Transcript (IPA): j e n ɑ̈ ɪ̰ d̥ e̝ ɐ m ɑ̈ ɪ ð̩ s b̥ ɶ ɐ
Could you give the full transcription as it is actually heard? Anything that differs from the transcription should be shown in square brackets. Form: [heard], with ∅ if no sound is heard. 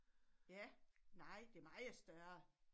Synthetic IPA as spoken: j [æ] n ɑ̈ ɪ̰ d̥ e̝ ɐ m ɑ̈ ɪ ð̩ s [d̥] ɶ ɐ